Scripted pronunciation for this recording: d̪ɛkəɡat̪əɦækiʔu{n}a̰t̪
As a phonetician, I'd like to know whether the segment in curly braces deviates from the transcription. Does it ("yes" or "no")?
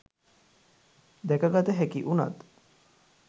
no